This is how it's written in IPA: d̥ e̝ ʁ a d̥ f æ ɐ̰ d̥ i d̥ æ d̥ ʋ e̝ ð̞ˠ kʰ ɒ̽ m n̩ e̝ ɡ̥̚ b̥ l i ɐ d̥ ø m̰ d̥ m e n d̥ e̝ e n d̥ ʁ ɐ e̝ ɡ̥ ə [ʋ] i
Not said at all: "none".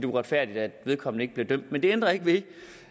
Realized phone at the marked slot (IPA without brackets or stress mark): ʋ